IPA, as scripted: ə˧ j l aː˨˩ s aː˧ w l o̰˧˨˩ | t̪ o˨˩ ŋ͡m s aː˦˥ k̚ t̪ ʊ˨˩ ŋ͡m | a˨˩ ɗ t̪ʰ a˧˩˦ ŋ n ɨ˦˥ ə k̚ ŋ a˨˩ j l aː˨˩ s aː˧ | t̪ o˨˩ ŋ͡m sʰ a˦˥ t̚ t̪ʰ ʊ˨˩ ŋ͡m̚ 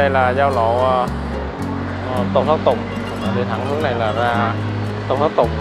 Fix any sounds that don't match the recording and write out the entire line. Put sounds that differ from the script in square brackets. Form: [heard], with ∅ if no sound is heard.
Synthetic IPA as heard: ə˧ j l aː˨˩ [z] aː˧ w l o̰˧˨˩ | t̪ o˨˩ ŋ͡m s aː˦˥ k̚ t̪ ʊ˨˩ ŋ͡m | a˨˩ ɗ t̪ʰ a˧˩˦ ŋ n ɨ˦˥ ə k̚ [n] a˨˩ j l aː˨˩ [z] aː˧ | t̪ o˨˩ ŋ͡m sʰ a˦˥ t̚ [t̪] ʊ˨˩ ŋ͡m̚